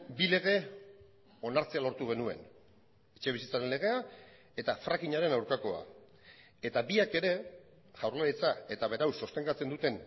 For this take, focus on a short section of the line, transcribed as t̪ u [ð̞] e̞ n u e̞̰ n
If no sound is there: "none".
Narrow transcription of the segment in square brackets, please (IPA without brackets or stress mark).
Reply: ɣ̞